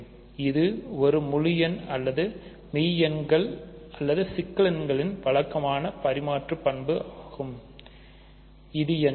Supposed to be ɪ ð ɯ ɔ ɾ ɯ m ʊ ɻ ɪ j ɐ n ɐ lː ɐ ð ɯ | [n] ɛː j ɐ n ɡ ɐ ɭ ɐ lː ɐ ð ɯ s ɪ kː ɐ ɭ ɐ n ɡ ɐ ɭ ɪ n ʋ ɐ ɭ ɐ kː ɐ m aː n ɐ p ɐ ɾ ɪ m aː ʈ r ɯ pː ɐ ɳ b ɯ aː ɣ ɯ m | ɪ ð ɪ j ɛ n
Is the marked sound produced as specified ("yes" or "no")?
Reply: no